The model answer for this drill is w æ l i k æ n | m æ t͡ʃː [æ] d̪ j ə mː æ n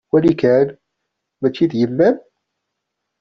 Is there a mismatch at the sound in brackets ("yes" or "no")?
yes